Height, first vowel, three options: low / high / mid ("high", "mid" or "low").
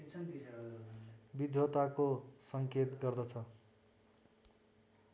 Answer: high